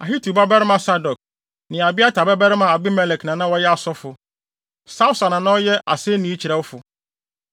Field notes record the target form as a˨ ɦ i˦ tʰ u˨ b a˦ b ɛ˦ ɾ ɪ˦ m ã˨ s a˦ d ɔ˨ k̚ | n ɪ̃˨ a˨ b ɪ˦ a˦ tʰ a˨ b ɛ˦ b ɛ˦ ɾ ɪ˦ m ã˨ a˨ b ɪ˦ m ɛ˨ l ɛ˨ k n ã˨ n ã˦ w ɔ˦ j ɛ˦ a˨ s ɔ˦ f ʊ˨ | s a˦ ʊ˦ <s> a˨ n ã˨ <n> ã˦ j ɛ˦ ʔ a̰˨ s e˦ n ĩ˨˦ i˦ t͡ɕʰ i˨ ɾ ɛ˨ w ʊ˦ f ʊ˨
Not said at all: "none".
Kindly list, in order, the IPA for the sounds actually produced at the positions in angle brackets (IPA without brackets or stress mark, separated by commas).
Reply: s, n